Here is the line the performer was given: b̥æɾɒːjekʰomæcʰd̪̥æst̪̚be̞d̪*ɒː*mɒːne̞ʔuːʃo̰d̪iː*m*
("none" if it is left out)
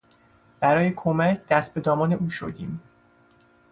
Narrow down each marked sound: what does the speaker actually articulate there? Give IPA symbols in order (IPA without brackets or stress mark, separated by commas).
ɒː, m